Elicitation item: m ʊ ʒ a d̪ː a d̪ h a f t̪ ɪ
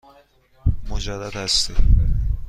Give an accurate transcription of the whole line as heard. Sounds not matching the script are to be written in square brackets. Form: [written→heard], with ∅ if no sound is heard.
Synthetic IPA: m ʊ [ʒ→d͡ʒ] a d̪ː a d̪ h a [f→s] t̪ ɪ

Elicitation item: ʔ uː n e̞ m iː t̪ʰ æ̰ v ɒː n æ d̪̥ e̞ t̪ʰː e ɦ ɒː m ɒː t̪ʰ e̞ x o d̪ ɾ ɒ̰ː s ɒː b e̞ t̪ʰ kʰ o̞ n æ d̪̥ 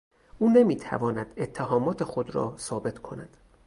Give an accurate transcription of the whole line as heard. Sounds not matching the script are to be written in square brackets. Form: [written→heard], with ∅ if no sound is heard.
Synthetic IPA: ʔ uː n e̞ m iː t̪ʰ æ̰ v ɒː n æ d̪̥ e̞ t̪ʰː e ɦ ɒː m ɒː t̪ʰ e̞ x o d̪ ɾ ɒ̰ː s ɒː b e̞ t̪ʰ kʰ o̞ n æ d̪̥

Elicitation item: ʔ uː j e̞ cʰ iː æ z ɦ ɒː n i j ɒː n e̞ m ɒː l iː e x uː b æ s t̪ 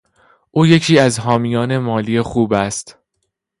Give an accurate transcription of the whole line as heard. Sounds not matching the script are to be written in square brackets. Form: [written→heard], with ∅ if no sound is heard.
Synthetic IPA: ʔ uː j e̞ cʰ iː æ z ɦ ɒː [n→m] i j ɒː n e̞ m ɒː l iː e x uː b æ s t̪

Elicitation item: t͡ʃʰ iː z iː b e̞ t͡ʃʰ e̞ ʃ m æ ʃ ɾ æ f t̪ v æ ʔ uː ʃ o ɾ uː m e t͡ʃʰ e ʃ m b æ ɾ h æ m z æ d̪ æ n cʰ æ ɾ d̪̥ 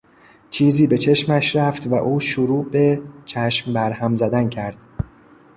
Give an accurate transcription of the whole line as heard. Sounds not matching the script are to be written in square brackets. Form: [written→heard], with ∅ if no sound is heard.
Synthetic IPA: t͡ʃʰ iː z iː b e̞ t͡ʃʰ e̞ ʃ m æ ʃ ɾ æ f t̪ v æ ʔ uː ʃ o ɾ uː [m→b] e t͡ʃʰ [e→æ] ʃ m b æ ɾ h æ m z æ d̪ æ n cʰ æ ɾ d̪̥

